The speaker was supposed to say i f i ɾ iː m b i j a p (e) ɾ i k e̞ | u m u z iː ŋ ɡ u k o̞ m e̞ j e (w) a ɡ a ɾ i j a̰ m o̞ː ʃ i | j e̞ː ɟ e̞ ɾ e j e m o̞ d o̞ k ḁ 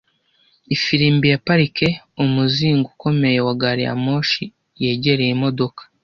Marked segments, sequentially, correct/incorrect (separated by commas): incorrect, correct